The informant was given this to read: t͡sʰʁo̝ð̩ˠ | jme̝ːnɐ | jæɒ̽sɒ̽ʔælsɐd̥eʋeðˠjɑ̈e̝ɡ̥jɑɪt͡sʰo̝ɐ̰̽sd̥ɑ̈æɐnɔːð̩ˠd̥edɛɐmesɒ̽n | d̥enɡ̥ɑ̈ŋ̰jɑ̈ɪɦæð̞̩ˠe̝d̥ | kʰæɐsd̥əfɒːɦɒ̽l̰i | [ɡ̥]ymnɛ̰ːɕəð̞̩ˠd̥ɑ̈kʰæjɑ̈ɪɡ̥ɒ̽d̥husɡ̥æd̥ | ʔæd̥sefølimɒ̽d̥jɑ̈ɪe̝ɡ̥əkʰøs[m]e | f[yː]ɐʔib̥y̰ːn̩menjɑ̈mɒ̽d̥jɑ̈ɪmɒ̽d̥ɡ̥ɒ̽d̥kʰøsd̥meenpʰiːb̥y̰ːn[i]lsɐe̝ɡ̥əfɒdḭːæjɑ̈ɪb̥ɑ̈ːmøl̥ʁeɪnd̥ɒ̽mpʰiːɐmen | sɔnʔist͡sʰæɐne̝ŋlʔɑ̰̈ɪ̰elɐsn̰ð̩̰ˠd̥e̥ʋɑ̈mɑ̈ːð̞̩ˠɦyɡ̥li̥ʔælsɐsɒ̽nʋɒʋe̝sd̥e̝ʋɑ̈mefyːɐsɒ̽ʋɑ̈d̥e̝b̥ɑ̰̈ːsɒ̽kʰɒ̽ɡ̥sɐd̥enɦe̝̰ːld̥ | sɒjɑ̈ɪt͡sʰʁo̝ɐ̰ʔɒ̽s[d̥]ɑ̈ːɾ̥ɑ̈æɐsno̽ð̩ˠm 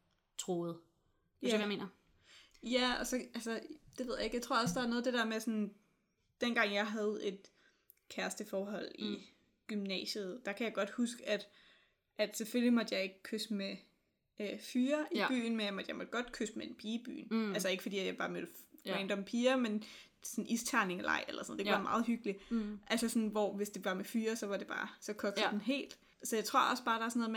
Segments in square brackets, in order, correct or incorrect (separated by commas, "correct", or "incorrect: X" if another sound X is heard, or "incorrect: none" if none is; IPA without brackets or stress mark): correct, correct, correct, incorrect: æ, incorrect: b̥